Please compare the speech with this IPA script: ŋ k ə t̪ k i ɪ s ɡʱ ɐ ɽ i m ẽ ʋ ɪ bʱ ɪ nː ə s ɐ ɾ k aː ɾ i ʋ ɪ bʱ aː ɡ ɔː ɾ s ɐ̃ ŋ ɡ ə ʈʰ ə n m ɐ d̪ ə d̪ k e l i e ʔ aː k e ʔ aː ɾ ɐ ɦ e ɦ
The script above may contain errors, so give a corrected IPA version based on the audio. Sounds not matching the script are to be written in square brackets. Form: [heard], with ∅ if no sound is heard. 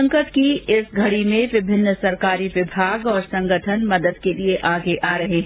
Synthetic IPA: ŋ k ə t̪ k i ɪ s ɡʱ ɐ ɽ i m ẽ ʋ ɪ bʱ ɪ nː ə s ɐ ɾ k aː ɾ i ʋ ɪ bʱ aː ɡ ɔː ɾ s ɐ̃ ŋ ɡ ə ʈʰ ə n m ɐ d̪ ə d̪ k e l i e ʔ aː [ɡ] e ʔ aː ɾ ɐ ɦ e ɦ